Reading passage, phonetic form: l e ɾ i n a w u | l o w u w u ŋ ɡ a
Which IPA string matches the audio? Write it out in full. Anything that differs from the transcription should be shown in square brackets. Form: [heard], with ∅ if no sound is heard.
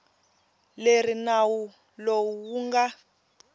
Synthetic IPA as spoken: l e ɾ i n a w u | l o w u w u ŋ ɡ a

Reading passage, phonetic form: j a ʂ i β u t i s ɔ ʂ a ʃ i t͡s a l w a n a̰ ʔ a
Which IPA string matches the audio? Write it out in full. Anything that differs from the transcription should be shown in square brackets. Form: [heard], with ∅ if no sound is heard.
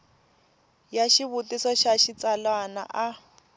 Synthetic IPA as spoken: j a [ʃ] i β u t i s ɔ [ʃ] a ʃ i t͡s a l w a n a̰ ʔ a

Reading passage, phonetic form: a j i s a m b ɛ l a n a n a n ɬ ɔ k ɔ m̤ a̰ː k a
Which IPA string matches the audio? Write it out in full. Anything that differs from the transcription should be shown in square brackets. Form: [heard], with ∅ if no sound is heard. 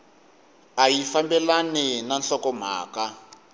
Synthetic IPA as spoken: a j i [f] a m b ɛ l a n [i] n a n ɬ ɔ k ɔ m̤ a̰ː k a

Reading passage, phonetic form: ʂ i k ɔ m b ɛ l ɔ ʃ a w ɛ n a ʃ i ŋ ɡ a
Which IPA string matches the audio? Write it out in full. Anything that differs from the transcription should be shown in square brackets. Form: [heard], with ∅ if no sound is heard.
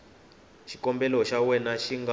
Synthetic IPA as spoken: [ʃ] i k ɔ m b ɛ l ɔ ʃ a w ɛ n a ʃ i ŋ ɡ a

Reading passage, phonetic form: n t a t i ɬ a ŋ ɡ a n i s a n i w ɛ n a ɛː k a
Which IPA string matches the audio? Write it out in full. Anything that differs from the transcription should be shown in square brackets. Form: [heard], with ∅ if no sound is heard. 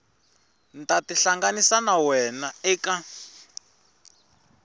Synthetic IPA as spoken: n t a t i ɬ a ŋ ɡ a n i s a n [a] w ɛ n a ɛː k a

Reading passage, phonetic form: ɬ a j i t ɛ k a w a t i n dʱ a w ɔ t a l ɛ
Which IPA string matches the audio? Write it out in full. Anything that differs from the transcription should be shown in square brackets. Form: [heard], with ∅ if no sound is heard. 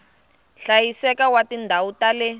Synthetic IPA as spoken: ɬ a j i [s] ɛ k a w a t i n dʱ a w [u] t a l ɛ

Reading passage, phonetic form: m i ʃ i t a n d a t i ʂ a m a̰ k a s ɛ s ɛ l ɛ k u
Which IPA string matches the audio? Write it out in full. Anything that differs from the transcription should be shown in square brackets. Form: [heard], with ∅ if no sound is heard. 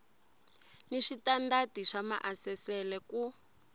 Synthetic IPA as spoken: [n] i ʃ i t a n d a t i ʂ a m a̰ [ʔ] a s ɛ s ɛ l ɛ k u

